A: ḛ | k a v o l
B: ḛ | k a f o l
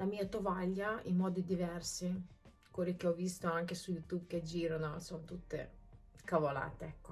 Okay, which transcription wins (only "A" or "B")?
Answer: A